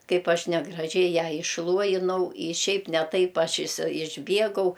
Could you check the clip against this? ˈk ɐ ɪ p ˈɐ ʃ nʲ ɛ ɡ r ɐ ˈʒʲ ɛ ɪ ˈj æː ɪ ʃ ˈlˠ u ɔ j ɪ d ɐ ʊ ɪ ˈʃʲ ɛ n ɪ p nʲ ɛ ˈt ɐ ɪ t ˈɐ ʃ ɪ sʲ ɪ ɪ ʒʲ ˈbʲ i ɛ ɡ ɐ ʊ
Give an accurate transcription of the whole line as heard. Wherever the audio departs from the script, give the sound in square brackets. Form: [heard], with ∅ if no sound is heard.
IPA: ˈk ɐ ɪ p ˈɐ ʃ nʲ ɛ ɡ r ɐ ˈʒʲ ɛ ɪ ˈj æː ɪ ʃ ˈlˠ u ɔ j ɪ [n] ɐ ʊ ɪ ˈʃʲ ɛ [∅] ɪ p nʲ ɛ ˈt ɐ ɪ [p] ˈɐ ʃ ɪ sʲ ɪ ɪ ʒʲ ˈbʲ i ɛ ɡ ɐ ʊ